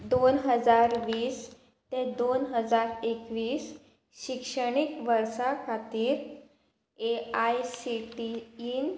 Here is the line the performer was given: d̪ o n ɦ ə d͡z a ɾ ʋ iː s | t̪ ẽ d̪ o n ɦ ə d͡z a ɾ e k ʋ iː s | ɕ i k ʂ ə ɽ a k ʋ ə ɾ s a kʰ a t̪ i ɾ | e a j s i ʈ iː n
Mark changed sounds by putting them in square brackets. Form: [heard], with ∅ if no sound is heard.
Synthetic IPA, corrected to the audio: d̪ o n ɦ ə d͡z a ɾ ʋ iː s | t̪ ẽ d̪ o n ɦ ə d͡z a ɾ e k ʋ iː s | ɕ i k ʂ ə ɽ [i] k ʋ ə ɾ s a kʰ a t̪ [iː] ɾ | e a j s i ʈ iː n